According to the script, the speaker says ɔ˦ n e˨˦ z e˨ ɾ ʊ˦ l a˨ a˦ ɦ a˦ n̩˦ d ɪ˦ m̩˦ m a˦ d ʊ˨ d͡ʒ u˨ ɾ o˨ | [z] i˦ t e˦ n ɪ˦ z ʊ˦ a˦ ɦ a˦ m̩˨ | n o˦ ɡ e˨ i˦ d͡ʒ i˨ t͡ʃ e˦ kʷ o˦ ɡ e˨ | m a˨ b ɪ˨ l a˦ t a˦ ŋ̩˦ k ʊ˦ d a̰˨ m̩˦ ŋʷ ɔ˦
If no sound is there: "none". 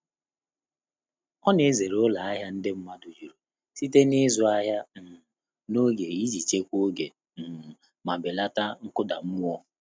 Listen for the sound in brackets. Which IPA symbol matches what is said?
s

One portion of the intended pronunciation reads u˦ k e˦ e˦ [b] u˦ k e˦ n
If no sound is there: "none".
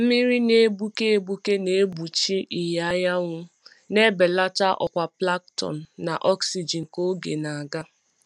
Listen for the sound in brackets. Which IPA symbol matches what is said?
b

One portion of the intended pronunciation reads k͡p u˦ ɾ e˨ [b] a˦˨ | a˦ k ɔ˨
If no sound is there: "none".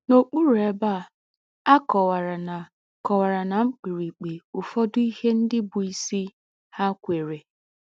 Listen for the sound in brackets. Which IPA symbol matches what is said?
b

